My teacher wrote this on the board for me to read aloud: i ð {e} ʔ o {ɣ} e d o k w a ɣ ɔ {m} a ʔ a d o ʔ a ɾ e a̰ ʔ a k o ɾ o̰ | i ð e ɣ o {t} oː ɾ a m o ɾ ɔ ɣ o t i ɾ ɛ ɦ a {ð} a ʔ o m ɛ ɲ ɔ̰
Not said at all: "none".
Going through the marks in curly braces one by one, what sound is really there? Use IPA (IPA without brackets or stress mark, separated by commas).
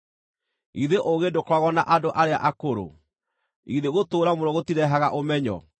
e, ɣ, n, t, ɣ